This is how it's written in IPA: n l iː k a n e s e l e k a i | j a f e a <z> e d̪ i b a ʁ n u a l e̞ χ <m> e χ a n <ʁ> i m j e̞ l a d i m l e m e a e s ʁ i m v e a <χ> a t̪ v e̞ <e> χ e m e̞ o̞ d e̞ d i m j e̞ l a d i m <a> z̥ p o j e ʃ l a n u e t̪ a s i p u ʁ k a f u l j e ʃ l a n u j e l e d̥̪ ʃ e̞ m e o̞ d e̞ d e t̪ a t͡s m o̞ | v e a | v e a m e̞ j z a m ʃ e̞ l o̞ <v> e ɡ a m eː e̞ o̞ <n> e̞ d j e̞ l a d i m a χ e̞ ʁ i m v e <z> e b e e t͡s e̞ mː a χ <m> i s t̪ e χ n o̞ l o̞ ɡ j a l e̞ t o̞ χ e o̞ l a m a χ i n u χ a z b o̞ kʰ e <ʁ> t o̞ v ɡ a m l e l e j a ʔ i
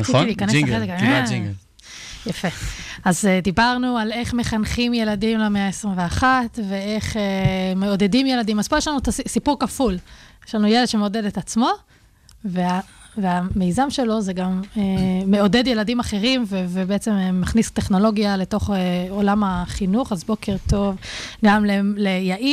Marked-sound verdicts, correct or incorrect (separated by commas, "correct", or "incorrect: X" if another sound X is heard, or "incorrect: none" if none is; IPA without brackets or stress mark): correct, correct, incorrect: χ, correct, correct, correct, incorrect: z, incorrect: d, incorrect: v, incorrect: n, correct